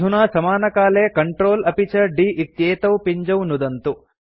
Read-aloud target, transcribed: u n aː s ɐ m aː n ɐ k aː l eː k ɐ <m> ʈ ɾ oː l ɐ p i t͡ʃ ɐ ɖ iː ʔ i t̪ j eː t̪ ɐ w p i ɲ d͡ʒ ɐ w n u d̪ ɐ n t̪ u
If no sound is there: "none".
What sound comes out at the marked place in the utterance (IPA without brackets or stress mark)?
ɳ